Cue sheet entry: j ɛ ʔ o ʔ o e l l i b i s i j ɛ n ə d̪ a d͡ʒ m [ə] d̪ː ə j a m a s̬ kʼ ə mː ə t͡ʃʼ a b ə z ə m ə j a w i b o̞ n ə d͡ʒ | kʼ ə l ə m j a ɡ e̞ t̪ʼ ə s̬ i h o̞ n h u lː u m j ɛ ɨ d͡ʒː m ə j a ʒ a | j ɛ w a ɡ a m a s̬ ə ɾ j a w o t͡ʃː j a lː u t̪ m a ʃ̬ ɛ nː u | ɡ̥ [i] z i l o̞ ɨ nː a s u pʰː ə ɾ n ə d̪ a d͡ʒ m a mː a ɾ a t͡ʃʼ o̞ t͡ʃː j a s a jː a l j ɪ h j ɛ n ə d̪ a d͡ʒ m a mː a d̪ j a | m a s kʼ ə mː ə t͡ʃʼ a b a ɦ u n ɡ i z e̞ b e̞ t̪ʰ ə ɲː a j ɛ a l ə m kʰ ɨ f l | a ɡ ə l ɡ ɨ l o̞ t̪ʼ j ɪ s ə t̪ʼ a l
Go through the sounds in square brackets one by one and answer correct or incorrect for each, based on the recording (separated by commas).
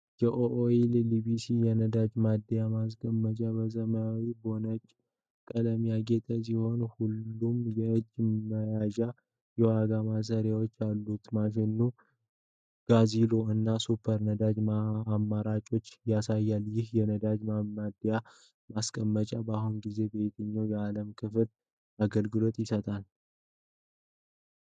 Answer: incorrect, incorrect